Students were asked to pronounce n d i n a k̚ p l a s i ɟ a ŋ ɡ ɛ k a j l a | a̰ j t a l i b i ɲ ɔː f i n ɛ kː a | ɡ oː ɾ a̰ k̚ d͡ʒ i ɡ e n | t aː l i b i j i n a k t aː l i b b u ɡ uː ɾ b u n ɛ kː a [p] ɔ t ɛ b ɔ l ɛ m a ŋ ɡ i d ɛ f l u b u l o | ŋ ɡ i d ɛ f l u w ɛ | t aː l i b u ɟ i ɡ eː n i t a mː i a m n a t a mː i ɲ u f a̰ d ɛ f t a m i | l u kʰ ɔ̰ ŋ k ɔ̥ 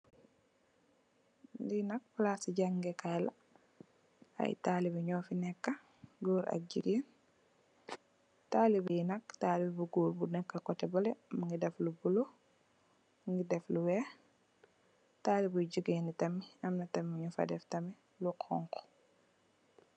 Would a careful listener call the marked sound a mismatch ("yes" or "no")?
yes